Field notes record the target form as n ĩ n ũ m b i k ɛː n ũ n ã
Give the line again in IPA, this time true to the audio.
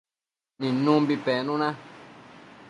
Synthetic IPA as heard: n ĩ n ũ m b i p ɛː n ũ n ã